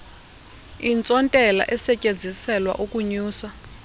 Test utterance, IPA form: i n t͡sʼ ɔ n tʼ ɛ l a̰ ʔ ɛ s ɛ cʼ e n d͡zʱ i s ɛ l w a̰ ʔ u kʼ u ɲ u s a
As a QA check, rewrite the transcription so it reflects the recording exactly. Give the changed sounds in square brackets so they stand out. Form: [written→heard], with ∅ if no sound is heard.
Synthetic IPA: i n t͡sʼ ɔ n tʼ ɛ l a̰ ʔ ɛ s ɛ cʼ e n d͡zʱ i s ɛ l w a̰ ʔ u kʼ u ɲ [u→uː] s a